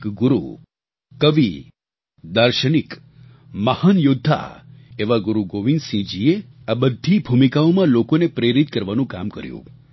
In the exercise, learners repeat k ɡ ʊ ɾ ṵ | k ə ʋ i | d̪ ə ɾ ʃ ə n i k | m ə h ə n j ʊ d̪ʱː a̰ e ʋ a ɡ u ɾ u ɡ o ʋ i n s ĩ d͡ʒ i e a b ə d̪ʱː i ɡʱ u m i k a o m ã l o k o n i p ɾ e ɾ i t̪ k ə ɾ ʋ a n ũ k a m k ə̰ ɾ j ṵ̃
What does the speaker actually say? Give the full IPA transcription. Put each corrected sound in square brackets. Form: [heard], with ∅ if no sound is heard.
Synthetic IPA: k ɡ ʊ ɾ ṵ | k ə ʋ i | d̪ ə ɾ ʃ ə n i k | m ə h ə n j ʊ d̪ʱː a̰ e ʋ a ɡ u ɾ u ɡ o ʋ i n s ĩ d͡ʒ i e a b ə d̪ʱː i [bʱ] u m i k a o m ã l o k o n [e] p ɾ e ɾ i t̪ k ə ɾ ʋ a n ũ k a m k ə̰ ɾ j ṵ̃

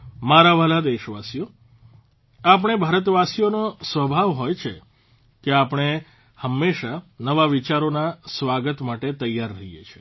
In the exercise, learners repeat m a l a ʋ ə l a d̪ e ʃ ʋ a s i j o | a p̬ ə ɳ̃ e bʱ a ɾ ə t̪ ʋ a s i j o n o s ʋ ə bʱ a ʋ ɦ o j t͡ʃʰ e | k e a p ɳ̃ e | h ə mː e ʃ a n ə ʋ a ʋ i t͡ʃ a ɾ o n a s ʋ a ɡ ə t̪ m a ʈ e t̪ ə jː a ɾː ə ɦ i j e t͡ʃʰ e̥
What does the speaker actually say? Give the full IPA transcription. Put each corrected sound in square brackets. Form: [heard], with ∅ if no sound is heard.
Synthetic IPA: m a [ɾ] a ʋ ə l a d̪ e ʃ ʋ a s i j o | a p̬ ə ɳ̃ e bʱ a ɾ ə t̪ ʋ a s i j o n o s ʋ ə bʱ a ʋ ɦ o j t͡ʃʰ e | k e a p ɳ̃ e | h ə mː e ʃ a n ə ʋ a ʋ i t͡ʃ a ɾ o n a s ʋ a ɡ ə t̪ m a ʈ e t̪ ə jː a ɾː ə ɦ i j e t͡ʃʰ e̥

